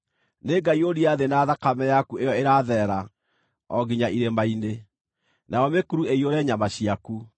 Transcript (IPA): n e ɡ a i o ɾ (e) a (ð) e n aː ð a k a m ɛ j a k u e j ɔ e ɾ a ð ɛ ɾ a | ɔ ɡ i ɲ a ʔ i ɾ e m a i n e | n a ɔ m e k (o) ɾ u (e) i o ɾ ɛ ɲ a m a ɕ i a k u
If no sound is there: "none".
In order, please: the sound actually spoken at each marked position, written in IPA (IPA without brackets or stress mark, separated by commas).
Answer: i, ð, u, e